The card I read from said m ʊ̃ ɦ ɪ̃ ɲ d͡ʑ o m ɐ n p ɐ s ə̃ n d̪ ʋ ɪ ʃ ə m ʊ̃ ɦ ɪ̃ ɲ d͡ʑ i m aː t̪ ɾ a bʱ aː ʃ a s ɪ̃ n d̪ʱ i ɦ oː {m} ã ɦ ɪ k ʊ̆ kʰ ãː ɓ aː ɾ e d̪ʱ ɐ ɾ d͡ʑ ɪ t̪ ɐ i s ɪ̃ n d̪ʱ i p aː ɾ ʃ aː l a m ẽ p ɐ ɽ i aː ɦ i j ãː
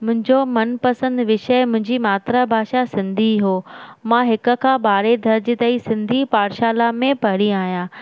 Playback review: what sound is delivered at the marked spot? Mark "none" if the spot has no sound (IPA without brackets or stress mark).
m